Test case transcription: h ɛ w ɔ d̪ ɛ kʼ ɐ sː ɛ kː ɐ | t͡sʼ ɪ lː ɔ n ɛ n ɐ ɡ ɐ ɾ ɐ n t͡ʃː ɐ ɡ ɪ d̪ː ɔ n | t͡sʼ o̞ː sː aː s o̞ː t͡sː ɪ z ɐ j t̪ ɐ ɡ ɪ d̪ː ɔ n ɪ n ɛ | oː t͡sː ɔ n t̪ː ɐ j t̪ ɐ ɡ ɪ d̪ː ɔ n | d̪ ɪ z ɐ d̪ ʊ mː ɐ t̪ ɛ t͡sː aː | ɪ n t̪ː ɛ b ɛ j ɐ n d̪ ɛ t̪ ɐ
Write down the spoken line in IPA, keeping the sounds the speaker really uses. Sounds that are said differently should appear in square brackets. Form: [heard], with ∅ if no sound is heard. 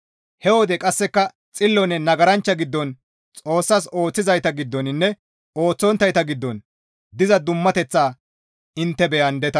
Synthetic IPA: h ɛ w ɔ d̪ ɛ kʼ ɐ sː ɛ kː ɐ | t͡sʼ ɪ lː ɔ n ɛ n ɐ ɡ ɐ ɾ ɐ n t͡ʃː ɐ ɡ ɪ d̪ː ɔ n | t͡sʼ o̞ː sː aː s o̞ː t͡sː ɪ z ɐ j t̪ ɐ ɡ ɪ d̪ː ɔ n ɪ [nː] ɛ | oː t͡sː ɔ n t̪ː ɐ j t̪ ɐ ɡ ɪ d̪ː ɔ n | d̪ ɪ z ɐ d̪ ʊ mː ɐ t̪ ɛ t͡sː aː | ɪ n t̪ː ɛ b ɛ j ɐ n d̪ ɛ t̪ ɐ